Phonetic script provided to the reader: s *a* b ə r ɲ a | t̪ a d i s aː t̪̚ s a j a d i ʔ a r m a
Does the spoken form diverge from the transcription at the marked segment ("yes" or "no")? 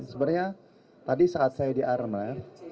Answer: yes